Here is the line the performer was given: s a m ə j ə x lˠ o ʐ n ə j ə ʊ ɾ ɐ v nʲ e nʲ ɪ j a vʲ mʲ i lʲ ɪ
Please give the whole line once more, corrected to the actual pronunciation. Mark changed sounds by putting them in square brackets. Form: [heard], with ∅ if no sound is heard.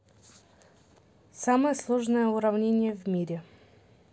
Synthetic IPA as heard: s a m ə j ə [s] lˠ o ʐ n ə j ə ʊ ɾ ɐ v nʲ e nʲ ɪ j [ə] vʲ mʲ i [ɾʲ] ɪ